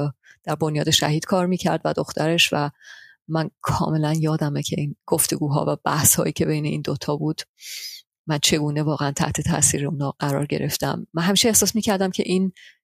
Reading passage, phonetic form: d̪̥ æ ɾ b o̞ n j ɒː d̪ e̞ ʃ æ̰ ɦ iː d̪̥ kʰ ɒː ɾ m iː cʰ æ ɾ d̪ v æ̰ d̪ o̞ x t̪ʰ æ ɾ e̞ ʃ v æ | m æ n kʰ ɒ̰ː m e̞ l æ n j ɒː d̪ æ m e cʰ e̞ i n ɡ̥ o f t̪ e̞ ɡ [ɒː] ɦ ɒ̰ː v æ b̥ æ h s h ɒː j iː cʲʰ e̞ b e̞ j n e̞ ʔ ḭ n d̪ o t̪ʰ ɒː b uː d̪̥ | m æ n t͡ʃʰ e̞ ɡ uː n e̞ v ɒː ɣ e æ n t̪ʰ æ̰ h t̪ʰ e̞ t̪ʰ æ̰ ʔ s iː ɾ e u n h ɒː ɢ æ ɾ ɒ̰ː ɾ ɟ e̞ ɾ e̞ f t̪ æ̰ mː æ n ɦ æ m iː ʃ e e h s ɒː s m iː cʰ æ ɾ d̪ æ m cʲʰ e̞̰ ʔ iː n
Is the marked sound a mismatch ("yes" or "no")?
yes